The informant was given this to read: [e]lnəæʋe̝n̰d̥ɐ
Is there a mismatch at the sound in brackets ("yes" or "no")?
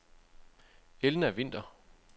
no